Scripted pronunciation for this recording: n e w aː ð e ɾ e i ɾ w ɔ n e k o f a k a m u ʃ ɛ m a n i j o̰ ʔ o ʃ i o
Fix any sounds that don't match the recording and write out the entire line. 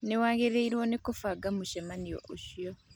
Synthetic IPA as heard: n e w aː ɣ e ɾ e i ɾ w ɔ n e k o f a ɡ a m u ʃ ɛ m a n i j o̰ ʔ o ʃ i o